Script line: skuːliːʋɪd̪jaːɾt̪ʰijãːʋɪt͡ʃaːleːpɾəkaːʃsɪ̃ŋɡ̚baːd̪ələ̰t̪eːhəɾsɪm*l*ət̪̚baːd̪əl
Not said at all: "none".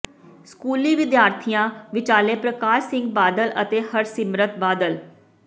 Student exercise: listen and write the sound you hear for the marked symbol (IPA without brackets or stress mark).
ɾ